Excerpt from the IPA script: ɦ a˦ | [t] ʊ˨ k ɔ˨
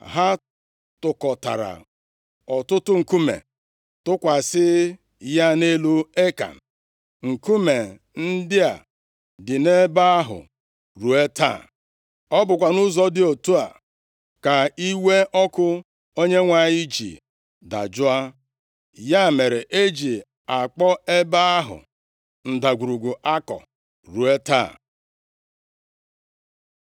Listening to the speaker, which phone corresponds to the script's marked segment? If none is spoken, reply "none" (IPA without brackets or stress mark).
t